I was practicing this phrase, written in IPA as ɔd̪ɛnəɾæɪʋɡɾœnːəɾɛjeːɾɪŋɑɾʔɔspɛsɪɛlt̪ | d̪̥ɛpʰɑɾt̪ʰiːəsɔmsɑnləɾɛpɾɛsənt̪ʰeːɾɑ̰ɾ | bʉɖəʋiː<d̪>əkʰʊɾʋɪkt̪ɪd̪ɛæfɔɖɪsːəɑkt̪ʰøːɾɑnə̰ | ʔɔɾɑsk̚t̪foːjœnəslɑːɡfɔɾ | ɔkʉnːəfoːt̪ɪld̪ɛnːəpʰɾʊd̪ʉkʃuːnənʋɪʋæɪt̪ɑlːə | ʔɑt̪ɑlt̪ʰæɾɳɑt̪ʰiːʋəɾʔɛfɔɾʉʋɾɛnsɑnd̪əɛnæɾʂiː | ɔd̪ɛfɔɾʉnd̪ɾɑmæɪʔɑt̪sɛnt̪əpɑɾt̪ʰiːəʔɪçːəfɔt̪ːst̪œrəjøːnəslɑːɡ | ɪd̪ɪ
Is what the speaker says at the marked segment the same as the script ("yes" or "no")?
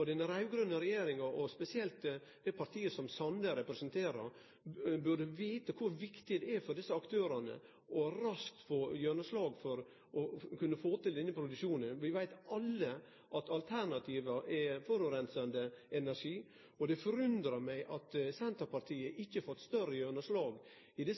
no